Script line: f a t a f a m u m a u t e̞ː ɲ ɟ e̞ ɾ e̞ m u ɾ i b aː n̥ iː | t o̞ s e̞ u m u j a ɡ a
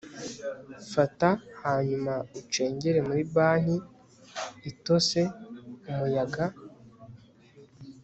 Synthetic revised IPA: f a t a h a ɲ u m a u t͡ʃ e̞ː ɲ ɟ e̞ ɾ e̞ m u ɾ i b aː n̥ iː | t o̞ s e̞ u m u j a ɡ a